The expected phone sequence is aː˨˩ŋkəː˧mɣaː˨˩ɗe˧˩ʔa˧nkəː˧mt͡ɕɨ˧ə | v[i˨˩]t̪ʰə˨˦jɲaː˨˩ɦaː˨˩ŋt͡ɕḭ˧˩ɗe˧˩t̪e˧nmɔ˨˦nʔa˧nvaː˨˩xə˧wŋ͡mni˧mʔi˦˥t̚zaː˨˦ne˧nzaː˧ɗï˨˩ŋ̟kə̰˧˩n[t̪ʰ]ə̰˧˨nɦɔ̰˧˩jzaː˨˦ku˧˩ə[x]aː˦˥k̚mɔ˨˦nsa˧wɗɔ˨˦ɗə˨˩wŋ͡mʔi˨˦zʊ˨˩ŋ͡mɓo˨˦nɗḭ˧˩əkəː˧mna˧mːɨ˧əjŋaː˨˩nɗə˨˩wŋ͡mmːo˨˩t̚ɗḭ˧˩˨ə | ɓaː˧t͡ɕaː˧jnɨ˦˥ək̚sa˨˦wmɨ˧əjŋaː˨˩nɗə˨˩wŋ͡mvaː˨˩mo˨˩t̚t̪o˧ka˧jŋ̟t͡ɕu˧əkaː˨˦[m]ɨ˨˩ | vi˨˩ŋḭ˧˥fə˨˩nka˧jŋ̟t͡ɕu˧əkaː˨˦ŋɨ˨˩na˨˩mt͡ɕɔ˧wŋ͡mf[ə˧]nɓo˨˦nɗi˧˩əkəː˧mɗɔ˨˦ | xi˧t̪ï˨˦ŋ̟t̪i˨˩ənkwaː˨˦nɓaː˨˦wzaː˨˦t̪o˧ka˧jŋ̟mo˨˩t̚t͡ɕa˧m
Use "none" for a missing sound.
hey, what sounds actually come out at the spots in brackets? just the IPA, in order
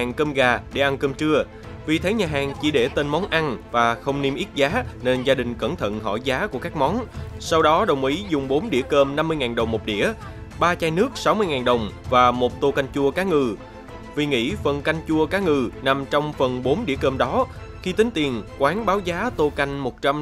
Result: i˨˩, t̪ʰ, k, ŋ, ə˨˩

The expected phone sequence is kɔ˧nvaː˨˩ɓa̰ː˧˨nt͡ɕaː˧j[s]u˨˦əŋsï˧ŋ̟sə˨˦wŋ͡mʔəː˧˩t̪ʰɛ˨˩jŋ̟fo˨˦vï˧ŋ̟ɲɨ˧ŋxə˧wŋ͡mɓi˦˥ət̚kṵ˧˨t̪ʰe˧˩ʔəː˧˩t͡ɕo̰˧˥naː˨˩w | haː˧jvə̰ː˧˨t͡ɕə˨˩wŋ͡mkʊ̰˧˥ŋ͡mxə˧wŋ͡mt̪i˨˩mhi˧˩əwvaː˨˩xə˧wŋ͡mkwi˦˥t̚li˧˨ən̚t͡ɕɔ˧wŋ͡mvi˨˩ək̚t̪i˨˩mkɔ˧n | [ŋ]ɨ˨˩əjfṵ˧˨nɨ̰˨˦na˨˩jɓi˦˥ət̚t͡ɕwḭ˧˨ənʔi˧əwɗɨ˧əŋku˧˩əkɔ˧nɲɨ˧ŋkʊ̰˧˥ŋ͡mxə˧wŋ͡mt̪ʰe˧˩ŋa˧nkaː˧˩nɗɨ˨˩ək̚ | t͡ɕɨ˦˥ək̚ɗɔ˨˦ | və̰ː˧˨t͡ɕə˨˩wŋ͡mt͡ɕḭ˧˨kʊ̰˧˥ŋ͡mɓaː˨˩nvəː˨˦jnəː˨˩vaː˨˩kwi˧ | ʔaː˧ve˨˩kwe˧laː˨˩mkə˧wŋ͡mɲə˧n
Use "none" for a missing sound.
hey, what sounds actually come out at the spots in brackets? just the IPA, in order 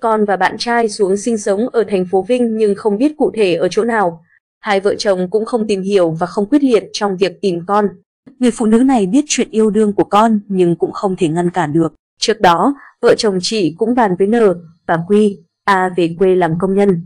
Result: s, ŋ

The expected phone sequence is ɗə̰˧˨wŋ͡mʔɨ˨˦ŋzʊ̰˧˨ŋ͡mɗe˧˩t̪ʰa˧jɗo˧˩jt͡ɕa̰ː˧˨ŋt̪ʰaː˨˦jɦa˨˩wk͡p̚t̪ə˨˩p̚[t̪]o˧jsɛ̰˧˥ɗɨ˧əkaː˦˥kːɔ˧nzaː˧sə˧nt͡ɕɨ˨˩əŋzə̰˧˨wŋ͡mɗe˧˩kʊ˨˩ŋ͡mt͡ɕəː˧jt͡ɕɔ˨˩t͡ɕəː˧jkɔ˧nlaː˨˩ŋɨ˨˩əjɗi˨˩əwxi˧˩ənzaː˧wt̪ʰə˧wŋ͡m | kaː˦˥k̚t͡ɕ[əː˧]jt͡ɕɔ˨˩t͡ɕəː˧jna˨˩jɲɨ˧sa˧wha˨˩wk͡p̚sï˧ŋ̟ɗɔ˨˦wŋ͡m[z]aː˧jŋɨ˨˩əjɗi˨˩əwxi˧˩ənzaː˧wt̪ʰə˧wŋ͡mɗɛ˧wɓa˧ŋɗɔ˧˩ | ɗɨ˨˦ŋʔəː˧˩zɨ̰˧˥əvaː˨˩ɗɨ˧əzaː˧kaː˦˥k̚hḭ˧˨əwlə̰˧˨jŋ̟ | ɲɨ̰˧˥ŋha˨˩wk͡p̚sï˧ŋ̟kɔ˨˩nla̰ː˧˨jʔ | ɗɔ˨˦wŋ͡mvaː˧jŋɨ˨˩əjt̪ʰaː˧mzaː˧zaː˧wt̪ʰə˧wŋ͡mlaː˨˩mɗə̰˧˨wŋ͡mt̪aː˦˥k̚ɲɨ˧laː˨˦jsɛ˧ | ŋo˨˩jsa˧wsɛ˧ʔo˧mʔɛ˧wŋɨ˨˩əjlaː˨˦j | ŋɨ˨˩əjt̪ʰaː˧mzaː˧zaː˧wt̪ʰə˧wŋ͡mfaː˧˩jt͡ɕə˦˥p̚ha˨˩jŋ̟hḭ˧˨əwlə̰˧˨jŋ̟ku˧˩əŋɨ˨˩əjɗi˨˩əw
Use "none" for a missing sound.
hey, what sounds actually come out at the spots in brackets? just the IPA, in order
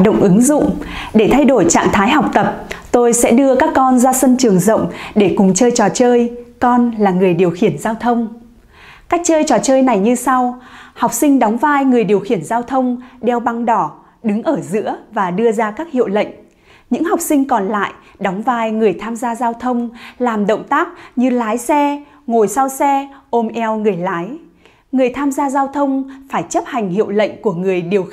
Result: t̪, əː˧, v

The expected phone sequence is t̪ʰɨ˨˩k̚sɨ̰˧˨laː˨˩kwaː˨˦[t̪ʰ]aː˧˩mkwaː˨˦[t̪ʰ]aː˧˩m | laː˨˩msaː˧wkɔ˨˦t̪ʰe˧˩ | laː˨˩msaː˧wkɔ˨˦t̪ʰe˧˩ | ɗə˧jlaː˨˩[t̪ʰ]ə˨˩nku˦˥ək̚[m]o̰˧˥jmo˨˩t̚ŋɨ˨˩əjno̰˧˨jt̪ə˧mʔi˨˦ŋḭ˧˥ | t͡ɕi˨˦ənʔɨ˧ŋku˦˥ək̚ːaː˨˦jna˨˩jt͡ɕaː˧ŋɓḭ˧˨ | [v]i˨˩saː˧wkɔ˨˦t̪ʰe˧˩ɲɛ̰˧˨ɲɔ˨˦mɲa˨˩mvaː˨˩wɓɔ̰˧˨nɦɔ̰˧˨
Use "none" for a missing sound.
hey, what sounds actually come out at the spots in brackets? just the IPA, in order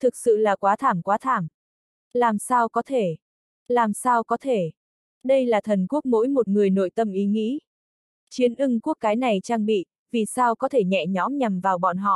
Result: t̪ʰ, t̪ʰ, t̪ʰ, m, v

